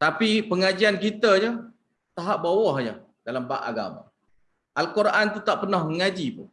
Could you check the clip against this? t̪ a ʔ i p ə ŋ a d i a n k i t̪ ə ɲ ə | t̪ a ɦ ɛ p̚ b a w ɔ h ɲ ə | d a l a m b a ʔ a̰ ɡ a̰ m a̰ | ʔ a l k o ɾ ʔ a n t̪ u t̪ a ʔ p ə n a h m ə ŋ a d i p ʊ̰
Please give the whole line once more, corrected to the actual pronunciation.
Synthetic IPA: t̪ a p i p ə ŋ a d͡ʒ i a n k i t̪ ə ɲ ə | t̪ a ɦ a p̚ b a w ɔ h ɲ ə | d a l a m b a ʔ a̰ ɡ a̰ m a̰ | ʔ a l k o ɾ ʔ a n t̪ u t̪ a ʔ p ə n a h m ə ŋ a d͡ʒ i p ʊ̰

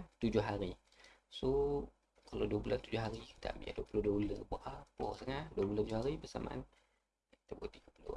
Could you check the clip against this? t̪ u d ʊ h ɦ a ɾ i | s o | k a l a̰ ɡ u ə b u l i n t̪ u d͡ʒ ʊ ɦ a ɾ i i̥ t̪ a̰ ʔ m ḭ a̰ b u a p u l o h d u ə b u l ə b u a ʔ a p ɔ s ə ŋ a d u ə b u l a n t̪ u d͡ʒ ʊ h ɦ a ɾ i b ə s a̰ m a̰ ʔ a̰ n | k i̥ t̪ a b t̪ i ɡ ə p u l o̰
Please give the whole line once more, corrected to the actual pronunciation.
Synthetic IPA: t̪ u d͡ʒ ʊ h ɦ a ɾ i | s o | k a l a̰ d u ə b u l a n t̪ u d͡ʒ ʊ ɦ a ɾ i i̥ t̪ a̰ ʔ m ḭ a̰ d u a p u l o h d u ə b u l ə b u a ʔ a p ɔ s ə ŋ a d u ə b u l a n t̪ u d͡ʒ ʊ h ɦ a ɾ i b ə s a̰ m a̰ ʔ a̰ n | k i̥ t̪ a b t̪ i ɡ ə p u l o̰

